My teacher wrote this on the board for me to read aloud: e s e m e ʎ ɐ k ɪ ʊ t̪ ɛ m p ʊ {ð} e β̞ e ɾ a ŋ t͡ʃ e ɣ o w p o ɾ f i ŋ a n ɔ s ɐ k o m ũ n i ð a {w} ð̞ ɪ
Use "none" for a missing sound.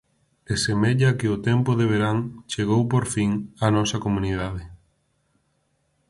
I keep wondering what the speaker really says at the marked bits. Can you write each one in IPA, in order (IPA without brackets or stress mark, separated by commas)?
ð, none